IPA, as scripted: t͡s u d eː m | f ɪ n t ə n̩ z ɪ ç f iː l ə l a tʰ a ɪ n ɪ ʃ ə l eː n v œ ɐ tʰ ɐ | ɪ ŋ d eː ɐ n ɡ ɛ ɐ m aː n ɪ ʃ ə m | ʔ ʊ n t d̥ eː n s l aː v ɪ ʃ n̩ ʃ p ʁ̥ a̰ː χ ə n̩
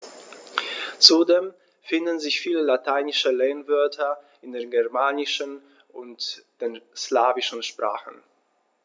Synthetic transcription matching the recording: t͡s u d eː m | f ɪ n d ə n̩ z ɪ ç f iː l ə l a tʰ a ɪ n ɪ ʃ ə l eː n v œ ɐ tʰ ɐ | ɪ n d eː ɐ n ɡ ɛ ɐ m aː n ɪ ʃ ə n | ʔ ʊ n t d̥ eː n s l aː v ɪ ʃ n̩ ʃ p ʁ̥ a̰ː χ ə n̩

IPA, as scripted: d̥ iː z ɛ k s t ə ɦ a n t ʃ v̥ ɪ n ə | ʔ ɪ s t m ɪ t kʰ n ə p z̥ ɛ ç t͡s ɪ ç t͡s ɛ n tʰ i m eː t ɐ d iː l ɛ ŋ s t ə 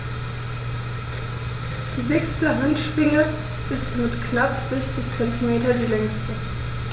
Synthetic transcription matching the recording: d̥ iː z ɛ k s t ə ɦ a n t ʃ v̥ ɪ ŋ ə | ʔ ɪ s t m ɪ t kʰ n a p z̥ ɛ ç t͡s ɪ ç t͡s ɛ n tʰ i m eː t ɐ d iː l ɛ ŋ s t ə

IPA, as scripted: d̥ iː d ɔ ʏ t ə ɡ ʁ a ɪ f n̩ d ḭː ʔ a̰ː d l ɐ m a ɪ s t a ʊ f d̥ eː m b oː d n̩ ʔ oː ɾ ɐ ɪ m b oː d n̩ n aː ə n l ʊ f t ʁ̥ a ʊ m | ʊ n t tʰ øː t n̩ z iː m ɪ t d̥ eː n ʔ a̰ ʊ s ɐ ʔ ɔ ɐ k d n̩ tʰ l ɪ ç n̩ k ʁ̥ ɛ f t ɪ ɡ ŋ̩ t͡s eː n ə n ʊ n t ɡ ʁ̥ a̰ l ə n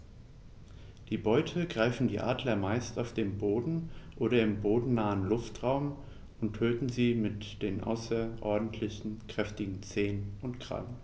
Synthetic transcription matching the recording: d̥ iː b ɔ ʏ tʰ ə ɡ ʁ a ɪ f n̩ d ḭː ʔ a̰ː d l ɐ m a ɪ s t a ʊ f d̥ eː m b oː d n̩ ʔ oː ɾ ɐ ɪ m b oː d n̩ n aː ə n l ʊ f t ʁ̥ a ʊ m | ʊ n t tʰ øː t n̩ z iː m ɪ t d̥ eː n ʔ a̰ ʊ s ɐ ʔ ɔ ɐ d n̩ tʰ l ɪ ç n̩ k ʁ̥ ɛ f t ɪ ɡ ŋ̩ t͡s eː n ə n ʊ n t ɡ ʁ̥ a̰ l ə n

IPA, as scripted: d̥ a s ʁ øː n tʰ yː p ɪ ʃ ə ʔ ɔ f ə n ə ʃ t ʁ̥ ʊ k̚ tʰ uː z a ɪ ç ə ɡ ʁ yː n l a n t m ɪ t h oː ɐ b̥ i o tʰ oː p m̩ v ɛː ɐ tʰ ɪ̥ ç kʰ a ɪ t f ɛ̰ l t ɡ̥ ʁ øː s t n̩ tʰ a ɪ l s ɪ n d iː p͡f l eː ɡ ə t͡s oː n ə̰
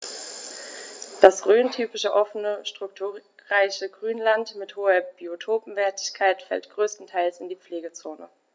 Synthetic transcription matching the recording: d̥ a s ʁ øː n tʰ yː p ɪ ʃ ə ʔ ɔ f ə n ə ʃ t ʁ̥ ʊ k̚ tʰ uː ʁ a ɪ ç ə ɡ ʁ yː n l a n t m ɪ t h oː ɐ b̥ i o tʰ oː p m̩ v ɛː ɐ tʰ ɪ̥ ç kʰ a ɪ t f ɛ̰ l t ɡ̥ ʁ øː s t n̩ tʰ a ɪ l s ɪ n d iː p͡f l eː ɡ ə t͡s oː n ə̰

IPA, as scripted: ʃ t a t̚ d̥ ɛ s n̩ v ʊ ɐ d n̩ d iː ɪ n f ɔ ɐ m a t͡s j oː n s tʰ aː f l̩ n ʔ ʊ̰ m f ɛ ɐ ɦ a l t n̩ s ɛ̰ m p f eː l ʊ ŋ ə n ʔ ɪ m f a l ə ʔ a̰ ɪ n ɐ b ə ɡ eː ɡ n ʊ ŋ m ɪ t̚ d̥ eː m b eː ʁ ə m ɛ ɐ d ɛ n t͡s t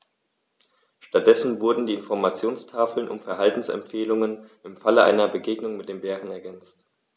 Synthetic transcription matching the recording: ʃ t a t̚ d̥ ɛ s n̩ v ʊ ɐ d n̩ d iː ɪ n f ɔ ɐ m a t͡s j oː n s tʰ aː f l̩ n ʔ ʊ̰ m f ɛ ɐ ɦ a l t n̩ s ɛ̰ m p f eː l ʊ ŋ ə n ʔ ɪ m f a l ə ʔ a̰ ɪ n ɐ b ə ɡ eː ɡ n ʊ ŋ m ɪ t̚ d̥ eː m b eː ʁ ə n ɛ ɐ ɡ ɛ n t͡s t

